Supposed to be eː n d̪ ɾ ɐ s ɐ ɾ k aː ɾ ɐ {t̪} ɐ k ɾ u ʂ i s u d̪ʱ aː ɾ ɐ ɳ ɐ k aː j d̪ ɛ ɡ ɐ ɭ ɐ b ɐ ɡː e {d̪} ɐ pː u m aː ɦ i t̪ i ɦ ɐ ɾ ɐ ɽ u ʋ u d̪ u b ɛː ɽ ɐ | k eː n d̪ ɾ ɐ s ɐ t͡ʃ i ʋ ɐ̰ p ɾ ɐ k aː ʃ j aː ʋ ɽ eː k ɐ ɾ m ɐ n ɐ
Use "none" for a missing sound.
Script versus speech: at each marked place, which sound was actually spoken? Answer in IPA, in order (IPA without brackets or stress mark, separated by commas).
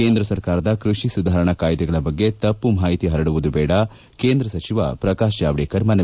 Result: d̪, t̪